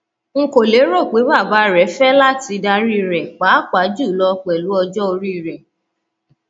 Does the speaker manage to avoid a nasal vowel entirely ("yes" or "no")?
yes